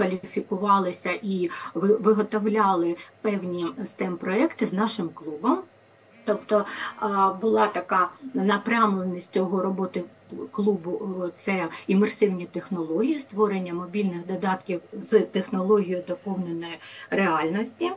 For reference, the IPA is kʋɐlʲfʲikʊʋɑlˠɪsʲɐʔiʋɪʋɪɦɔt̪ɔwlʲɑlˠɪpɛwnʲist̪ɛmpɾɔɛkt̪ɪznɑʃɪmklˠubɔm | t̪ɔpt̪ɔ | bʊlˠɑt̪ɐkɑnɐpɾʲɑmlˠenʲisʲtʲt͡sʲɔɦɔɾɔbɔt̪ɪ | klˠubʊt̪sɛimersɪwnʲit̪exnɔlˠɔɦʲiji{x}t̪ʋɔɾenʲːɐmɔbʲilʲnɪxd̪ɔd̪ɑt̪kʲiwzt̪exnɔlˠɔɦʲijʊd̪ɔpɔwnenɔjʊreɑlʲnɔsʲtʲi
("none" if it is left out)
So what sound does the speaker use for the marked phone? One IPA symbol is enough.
s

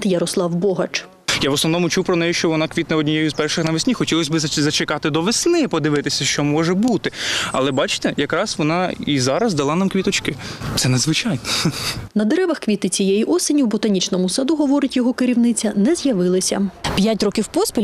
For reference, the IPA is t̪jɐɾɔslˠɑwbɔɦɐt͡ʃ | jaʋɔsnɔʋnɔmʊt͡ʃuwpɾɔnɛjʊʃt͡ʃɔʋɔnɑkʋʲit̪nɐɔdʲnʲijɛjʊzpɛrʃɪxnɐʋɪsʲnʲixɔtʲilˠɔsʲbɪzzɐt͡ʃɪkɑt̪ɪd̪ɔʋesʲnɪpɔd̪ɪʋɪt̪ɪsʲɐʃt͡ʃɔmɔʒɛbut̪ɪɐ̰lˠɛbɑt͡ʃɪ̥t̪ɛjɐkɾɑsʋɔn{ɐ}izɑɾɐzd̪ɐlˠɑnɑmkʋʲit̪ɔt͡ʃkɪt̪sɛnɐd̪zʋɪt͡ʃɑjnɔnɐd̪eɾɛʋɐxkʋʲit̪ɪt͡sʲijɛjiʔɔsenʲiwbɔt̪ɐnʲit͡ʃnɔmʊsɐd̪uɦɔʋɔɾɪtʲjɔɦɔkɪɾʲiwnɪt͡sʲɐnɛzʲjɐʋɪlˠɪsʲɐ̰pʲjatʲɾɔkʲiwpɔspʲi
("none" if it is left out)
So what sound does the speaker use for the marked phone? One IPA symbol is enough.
ɑ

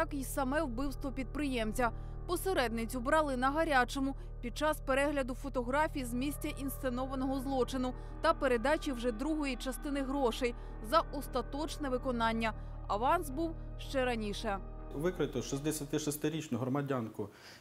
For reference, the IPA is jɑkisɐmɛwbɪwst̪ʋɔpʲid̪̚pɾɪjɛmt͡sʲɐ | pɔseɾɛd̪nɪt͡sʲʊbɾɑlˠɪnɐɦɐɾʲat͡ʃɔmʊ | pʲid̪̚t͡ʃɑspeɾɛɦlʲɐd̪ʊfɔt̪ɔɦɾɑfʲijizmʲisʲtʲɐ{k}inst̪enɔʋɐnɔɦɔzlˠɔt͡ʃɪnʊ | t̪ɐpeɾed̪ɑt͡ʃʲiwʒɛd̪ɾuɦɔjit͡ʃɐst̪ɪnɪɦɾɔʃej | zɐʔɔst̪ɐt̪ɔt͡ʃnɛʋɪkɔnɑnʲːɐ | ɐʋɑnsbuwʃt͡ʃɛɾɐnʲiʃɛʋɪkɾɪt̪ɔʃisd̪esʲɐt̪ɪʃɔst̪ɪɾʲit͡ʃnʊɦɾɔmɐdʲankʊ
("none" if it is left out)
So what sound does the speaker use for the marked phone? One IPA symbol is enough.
ʔ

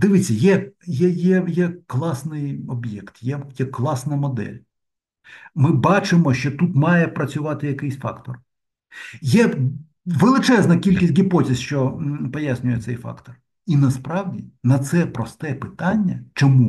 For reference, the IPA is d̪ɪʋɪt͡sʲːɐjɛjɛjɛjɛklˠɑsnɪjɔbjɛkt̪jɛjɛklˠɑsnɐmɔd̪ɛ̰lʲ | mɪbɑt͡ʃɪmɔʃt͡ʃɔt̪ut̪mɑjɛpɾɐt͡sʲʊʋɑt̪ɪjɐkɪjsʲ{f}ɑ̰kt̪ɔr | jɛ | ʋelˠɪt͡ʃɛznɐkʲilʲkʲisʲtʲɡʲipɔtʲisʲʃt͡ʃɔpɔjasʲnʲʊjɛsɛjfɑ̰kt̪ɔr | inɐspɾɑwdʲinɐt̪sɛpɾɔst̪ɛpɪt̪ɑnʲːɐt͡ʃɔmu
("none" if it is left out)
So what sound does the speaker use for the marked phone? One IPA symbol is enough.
f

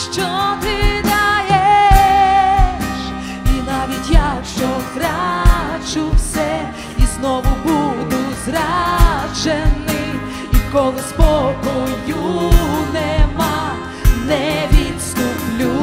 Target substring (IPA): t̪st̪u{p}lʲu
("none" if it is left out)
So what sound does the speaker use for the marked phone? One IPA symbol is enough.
p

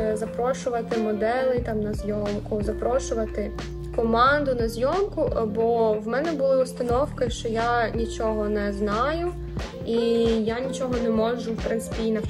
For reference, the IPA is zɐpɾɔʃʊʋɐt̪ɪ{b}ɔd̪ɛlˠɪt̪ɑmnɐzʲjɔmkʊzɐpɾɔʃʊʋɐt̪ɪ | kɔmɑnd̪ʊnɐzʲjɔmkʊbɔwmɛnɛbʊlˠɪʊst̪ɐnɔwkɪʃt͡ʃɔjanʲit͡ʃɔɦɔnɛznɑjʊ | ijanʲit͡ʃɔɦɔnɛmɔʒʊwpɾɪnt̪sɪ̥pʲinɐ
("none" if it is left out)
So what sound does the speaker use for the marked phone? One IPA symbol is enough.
m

